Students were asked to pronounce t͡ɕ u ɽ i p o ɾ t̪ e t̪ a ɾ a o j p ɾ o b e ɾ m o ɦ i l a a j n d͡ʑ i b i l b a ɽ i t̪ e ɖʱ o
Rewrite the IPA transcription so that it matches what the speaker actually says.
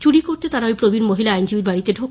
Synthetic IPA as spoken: t͡ɕ u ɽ i k o ɾ t̪ e t̪ a ɾ a o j p ɾ o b i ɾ m o ɦ i l a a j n d͡ʑ i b i ɾ b a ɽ i t̪ e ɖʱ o

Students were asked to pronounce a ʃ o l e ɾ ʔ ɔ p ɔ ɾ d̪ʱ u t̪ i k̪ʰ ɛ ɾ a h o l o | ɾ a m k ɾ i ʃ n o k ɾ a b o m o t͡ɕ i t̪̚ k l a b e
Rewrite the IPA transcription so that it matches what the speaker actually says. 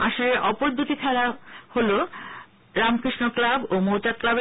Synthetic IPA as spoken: a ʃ o l e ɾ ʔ ɔ p o ɾ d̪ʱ u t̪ i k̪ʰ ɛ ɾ a h o l o | ɾ a m k ɾ i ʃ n o k l a b o m o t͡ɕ a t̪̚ k l a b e

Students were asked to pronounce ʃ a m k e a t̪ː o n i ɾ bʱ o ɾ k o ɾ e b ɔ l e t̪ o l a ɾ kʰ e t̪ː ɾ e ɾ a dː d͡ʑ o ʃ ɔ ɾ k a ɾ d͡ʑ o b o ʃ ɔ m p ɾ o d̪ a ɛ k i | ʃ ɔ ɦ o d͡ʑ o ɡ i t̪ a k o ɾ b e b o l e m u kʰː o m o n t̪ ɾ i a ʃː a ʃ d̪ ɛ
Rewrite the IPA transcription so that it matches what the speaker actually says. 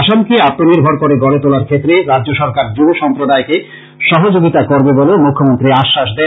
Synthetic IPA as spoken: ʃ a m k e a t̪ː o n i ɾ bʱ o ɾ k o ɾ e ɡ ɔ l e t̪ o l a ɾ kʰ e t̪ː ɾ e ɾ a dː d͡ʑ o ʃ ɔ ɾ k a ɾ d͡ʑ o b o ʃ ɔ m p ɾ o d̪ a e k e | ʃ ɔ ɦ o d͡ʑ o ɡ i t̪ a k o ɾ b e b o l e m u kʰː o m o n t̪ ɾ i a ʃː a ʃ d̪ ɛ

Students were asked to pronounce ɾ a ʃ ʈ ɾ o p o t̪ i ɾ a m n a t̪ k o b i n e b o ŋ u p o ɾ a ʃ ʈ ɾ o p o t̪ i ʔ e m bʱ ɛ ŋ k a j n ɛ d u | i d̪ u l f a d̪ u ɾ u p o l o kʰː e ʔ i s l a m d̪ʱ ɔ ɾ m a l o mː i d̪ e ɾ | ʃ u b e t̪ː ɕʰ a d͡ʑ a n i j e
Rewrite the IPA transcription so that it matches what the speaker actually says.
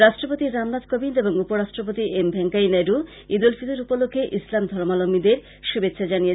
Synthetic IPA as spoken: ɾ a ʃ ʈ ɾ o p o t̪ i ɾ a m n a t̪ k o b i n e b o ŋ u p o ɾ a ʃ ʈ ɾ o p o t̪ i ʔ e m bʱ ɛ ŋ k a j n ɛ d u | i d̪ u l f i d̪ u ɾ u p o l o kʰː e ʔ i s l a m d̪ʱ ɔ ɾ m a l o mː i d̪ e ɾ | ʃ u b e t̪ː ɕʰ a d͡ʑ a n i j e

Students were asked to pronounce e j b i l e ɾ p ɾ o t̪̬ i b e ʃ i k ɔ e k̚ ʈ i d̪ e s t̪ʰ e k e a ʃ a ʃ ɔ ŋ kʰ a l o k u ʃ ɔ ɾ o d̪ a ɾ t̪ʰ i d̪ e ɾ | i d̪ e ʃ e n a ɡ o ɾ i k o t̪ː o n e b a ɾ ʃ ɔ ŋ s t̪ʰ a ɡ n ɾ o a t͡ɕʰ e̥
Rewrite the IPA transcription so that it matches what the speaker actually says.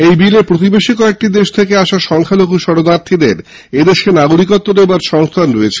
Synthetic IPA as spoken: e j b i l e ɾ p ɾ o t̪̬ i b e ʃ i k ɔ e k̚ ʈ i d̪ e ʃ t̪ʰ e k e a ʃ a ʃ ɔ ŋ kʰ a l o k u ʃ ɔ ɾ o d̪ a ɾ t̪ʰ i d̪ e ɾ | e d̪ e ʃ e n a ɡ o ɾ i k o t̪ː o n e b a ɾ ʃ ɔ ŋ s t̪ʰ a n ɾ o e t͡ɕʰ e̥

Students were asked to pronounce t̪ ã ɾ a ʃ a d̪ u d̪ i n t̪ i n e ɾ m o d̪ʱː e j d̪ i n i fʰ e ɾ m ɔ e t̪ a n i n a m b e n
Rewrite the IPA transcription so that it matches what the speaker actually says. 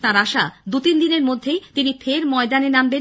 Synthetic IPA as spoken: t̪ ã ɾ a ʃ a d̪ u t̪ i n d̪ i n e ɾ m o d̪ʱː e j t̪ i n i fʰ e ɾ m ɔ e d̪ a n e n a m b e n

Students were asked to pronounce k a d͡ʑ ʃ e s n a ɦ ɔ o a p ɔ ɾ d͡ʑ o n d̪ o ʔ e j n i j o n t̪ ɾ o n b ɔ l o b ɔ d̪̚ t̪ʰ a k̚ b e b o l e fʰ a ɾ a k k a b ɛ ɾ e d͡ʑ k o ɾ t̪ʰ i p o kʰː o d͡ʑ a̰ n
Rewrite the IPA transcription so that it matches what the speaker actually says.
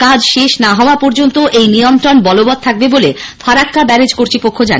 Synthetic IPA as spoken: k a d͡ʑ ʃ e ʃ n a ɦ ɔ o a p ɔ ɾ d͡ʑ o n t̪ o ʔ e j n i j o n t̪ ɾ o n b ɔ l o b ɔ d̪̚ t̪ʰ a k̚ b e b o l e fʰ a ɾ a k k a b ɛ ɾ e d͡ʑ k o ɾ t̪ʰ i p o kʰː o d͡ʑ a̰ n

